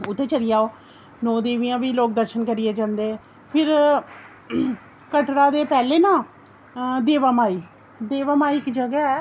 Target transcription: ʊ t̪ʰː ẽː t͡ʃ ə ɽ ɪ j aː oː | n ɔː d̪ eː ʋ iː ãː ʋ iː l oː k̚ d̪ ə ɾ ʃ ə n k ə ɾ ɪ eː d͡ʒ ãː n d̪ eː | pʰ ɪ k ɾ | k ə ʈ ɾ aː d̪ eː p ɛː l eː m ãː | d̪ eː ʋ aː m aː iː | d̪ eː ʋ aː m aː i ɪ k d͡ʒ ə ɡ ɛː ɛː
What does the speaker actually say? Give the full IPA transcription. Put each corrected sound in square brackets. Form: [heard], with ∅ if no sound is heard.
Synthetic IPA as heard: ʊ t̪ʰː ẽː t͡ʃ ə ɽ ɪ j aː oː | n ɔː d̪ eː ʋ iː ãː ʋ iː l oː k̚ d̪ ə ɾ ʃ ə n k ə ɾ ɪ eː d͡ʒ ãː n d̪ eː | pʰ ɪ [∅] ɾ | k ə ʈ ɾ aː d̪ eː p ɛː l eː [n] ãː | d̪ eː ʋ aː m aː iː | d̪ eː ʋ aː m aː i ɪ k d͡ʒ ə ɡ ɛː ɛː